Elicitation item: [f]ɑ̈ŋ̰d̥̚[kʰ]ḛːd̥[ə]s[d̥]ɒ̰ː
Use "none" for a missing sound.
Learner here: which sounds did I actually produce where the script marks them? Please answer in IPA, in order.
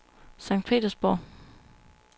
s, pʰ, ɐ, b̥

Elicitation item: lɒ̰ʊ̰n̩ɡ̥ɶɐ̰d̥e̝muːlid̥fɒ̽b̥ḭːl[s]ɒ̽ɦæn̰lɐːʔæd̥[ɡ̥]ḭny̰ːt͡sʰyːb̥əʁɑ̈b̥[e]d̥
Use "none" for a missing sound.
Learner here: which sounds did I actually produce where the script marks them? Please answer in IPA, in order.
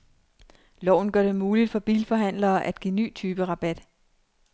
f, ɡ̥, æ

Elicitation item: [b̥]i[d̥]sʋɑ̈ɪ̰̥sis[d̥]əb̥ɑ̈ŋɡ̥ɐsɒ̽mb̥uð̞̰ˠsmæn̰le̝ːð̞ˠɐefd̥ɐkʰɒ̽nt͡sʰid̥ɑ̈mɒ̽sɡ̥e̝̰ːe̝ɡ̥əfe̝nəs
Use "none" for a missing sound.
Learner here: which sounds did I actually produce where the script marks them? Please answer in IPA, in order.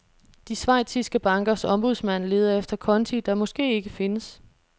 d̥, none, ɡ̥

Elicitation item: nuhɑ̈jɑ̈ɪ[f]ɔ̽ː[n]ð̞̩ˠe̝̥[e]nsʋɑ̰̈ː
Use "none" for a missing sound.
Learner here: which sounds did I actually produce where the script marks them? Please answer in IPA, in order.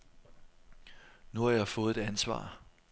f, none, æ

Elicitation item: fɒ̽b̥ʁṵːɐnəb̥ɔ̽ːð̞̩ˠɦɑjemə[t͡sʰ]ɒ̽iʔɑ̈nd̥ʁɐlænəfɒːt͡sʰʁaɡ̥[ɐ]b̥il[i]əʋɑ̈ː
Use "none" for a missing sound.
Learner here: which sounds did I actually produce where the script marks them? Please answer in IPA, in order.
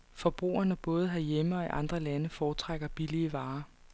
none, ɐ, i

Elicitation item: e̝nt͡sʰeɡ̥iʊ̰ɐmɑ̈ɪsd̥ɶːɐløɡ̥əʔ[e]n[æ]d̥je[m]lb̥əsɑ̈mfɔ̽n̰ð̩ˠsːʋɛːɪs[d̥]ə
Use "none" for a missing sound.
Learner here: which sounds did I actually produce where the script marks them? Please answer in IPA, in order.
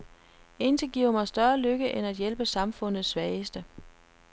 e, æ, none, d̥

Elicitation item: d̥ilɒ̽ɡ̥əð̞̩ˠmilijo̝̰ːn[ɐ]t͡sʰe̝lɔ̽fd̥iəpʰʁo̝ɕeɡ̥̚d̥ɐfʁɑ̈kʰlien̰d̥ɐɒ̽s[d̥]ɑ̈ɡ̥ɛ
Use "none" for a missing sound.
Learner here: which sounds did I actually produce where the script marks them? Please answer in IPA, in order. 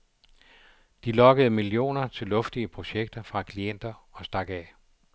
ɐ, d̥

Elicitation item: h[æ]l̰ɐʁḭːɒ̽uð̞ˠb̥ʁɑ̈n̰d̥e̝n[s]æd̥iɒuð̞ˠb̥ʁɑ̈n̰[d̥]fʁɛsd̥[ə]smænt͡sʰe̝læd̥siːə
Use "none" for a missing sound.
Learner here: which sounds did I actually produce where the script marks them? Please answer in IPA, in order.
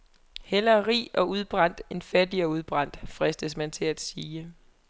e, f, d̥, ə

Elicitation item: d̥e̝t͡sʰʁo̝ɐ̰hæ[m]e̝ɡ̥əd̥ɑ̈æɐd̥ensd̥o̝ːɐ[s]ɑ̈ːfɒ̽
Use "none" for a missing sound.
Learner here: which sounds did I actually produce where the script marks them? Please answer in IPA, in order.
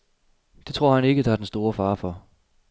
n, f

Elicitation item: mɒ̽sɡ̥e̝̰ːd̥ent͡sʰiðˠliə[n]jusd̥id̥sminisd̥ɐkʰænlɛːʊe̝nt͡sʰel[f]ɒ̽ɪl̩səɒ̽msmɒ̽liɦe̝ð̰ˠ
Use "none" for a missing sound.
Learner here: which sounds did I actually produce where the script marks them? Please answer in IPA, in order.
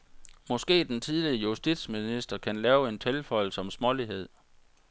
none, f

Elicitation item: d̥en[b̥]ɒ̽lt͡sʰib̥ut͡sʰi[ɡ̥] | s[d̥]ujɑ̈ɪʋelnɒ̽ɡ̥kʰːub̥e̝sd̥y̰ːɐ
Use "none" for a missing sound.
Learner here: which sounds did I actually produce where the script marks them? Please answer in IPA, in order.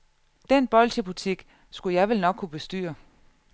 b̥, ɡ̥, ɡ̥

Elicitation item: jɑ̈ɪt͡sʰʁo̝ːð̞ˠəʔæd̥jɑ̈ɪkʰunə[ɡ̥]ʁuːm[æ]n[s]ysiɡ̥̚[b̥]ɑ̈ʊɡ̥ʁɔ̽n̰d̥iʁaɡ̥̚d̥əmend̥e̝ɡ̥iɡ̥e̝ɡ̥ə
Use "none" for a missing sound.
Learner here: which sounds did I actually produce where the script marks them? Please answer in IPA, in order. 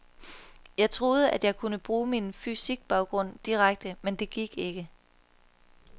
b̥, i, f, b̥

